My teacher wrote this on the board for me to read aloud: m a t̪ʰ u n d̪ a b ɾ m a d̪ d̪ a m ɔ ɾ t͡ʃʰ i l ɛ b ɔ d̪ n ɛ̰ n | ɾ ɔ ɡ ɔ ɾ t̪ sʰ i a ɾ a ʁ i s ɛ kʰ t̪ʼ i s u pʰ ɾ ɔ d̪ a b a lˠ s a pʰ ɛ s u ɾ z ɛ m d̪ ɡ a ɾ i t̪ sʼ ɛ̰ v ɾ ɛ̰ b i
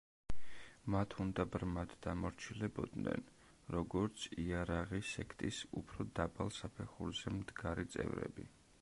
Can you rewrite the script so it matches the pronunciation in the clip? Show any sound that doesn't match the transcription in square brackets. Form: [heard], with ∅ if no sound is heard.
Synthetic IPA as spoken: m a t̪ʰ u n d̪ a b ɾ m a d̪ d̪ a m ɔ ɾ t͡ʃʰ i l ɛ b ɔ d̪ n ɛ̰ n | ɾ ɔ ɡ ɔ ɾ t̪ sʰ i a ɾ a ʁ i s ɛ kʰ t̪ʼ i s u pʰ ɾ ɔ d̪ a b a lˠ s a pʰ ɛ [χ] u ɾ z ɛ m d̪ ɡ a ɾ i t̪ sʼ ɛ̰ v ɾ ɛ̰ b i